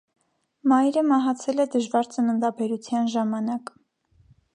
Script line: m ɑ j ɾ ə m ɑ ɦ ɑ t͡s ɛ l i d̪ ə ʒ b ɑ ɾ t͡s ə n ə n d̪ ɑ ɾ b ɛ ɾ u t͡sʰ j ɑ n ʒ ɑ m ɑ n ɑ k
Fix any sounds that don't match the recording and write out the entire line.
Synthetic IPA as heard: m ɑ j ɾ ə m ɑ ɦ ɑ t͡sʰ ɛ l ɛ d̪ ə ʒ v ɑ ɾ t͡s ə n ə n d̪ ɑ b ɛ ɾ u t͡sʰ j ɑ n ʒ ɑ m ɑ n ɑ k

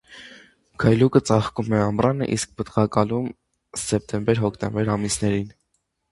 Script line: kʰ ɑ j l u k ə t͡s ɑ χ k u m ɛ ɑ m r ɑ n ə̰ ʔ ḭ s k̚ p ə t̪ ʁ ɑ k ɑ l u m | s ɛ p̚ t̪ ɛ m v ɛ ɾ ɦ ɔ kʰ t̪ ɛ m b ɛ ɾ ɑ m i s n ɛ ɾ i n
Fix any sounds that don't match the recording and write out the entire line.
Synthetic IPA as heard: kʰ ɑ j l u k ə t͡s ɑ χ k u m ɛ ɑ m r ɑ n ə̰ ʔ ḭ s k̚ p ə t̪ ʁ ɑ k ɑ l u m | s ɛ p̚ t̪ ɛ m b ɛ ɾ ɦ ɔ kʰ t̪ ɛ m b ɛ ɾ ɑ m i s n ɛ ɾ i n

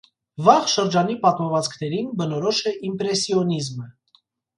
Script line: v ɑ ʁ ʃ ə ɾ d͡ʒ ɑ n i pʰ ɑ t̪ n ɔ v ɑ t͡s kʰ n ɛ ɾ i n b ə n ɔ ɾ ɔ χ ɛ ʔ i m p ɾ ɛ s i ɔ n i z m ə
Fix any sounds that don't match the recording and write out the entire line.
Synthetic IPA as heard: v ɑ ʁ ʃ ə ɾ d͡ʒ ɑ n i p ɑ t̪ m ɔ v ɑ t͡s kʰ n ɛ ɾ i n b ə n ɔ ɾ ɔ ʃ ɛ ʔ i m p ɾ ɛ s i ɔ n i z m ə

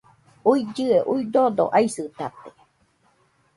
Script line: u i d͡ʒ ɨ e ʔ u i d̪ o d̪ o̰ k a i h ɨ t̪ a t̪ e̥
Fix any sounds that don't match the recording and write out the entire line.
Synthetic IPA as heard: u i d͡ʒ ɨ e ʔ u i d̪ o d̪ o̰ ʔ a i s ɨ t̪ a t̪ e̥

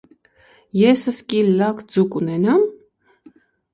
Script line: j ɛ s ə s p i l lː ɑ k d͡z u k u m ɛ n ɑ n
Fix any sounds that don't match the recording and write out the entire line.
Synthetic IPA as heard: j ɛ s ə s k i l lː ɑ k d͡z u k u n ɛ n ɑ m

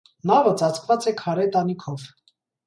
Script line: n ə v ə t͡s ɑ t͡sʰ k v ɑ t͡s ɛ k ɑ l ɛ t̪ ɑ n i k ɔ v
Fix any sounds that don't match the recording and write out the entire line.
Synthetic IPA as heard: n ɑ v ə t͡s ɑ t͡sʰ k v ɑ t͡s ɛ kʰ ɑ ɾ ɛ t̪ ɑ n i kʰ ɔ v

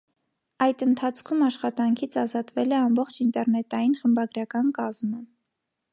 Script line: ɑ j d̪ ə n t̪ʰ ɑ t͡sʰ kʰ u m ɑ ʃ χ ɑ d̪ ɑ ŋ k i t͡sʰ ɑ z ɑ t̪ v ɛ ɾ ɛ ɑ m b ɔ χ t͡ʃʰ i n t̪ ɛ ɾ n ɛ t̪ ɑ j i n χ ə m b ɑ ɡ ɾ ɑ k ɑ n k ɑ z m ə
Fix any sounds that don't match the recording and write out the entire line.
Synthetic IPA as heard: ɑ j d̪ ə n t̪ʰ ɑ t͡sʰ kʰ u m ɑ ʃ χ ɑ t̪ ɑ ŋ kʰ i t͡sʰ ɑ z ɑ t̪ v ɛ l ɛ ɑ m b ɔ χ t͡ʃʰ i n t̪ ɛ ɾ n ɛ t̪ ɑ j i n χ ə m b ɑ ɡ ɾ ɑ k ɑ n k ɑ z m ə

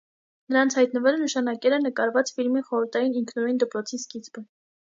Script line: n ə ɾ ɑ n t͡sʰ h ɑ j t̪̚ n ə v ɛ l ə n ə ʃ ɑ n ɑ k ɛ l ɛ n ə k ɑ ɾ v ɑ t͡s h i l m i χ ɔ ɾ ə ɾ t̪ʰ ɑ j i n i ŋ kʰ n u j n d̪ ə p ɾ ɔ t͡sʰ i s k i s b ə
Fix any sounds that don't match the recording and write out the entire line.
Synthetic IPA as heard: n ə ɾ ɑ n t͡sʰ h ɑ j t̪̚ n ə v ɛ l ə n ə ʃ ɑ n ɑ k ɛ l ɛ n ə k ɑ ɾ v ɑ t͡s f i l m i χ ɔ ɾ ə ɾ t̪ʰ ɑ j i n i ŋ kʰ n u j n d̪ ə p ɾ ɔ t͡sʰ i s k i t͡s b ə

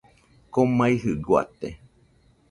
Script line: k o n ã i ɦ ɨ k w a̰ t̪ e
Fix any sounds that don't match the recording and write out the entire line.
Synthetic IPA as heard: k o m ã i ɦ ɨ ɡ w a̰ t̪ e

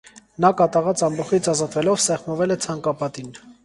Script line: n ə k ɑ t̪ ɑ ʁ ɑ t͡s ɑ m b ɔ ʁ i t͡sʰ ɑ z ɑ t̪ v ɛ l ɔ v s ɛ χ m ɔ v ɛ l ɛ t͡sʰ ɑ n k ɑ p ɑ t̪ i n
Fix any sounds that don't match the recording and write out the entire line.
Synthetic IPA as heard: n ɑ k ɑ t̪ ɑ ʁ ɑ t͡s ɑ m b ɔ χ i t͡sʰ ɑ z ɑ t̪ v ɛ l ɔ v s ɛ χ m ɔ v ɛ l ɛ t͡sʰ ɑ ŋ k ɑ p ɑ t̪ i n

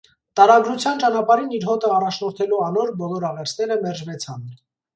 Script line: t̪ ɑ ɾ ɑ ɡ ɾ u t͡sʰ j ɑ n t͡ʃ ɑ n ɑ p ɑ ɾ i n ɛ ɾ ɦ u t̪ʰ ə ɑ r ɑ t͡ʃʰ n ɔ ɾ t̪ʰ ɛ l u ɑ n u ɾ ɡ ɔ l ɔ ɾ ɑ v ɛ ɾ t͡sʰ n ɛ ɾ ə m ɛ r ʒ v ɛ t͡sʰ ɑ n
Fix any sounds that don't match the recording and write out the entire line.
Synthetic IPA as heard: t̪ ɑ ɾ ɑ ɡ ɾ u t͡sʰ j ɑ n t͡ʃ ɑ n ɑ p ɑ ɾ i n i ɾ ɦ ɔ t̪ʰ ə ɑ r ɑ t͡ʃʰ n ɔ ɾ t̪ʰ ɛ l u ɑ n ɔ ɾ b ɔ l ɔ ɾ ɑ ʁ ɛ ɾ t͡sʰ n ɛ ɾ ə m ɛ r ʒ v ɛ t͡sʰ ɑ n

